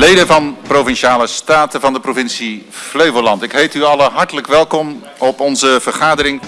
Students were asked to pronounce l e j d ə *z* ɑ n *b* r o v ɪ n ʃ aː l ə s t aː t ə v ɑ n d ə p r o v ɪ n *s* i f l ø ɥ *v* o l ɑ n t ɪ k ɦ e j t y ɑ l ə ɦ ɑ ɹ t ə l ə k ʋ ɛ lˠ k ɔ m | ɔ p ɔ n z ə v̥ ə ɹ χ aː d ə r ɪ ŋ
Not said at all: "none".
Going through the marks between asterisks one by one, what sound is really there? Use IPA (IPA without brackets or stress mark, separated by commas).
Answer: v, p, s, v